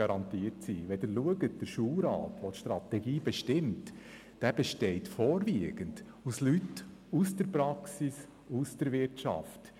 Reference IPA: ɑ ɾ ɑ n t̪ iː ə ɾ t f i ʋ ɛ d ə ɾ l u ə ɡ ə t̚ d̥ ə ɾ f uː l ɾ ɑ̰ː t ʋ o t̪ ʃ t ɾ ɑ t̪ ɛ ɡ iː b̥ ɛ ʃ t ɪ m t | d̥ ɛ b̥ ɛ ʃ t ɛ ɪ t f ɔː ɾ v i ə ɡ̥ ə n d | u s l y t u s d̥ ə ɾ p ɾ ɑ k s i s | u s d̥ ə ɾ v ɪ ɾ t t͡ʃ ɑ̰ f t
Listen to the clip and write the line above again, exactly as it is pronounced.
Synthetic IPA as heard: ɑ ɾ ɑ n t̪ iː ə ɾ t s i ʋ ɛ d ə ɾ l u ə ɡ ə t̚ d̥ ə ɾ ʃ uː l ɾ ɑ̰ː t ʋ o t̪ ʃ t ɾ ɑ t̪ ɛ ɡ iː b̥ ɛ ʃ t ɪ m t | d̥ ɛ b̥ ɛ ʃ t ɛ ɪ t f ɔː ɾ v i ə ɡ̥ ə n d | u s l y t u s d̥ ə ɾ p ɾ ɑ k s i s | u s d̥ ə ɾ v ɪ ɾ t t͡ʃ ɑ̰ f t